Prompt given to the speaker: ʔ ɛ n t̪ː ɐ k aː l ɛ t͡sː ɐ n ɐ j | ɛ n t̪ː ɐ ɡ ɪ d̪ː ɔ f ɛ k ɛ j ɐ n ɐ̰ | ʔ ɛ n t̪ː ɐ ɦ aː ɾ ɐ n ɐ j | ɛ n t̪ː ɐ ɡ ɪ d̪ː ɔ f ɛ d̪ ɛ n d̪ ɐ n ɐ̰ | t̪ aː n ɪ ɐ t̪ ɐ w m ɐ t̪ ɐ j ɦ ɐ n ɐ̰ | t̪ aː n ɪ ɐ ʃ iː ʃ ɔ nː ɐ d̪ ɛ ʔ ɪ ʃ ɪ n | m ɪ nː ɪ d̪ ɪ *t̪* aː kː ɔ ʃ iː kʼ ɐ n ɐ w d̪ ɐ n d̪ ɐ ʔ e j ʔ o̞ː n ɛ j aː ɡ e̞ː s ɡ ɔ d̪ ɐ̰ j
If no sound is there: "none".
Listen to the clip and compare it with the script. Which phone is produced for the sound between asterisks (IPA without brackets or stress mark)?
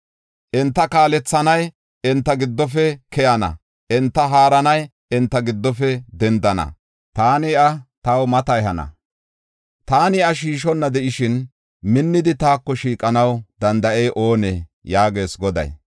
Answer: t̪